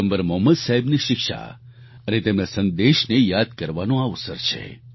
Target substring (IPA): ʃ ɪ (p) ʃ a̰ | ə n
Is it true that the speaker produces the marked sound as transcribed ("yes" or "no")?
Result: no